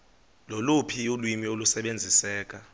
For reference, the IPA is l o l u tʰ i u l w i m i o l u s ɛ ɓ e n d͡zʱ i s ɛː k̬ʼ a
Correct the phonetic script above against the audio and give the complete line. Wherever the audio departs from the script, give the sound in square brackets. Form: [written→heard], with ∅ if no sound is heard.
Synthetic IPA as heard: l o l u [tʰ→pʰ] i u l w i m i o l u s ɛ ɓ e n d͡zʱ i s ɛː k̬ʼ a